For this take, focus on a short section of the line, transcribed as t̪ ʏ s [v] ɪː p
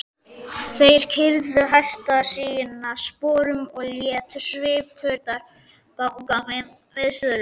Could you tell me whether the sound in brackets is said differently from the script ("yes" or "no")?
no